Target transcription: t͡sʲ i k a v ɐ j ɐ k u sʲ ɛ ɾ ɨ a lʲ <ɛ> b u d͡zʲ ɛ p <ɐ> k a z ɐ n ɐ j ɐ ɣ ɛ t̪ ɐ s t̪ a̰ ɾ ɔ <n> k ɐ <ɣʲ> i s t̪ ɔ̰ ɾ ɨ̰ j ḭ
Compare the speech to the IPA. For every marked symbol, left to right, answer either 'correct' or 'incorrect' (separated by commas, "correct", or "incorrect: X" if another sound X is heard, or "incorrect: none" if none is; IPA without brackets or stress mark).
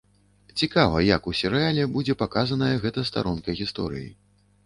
correct, incorrect: a, correct, correct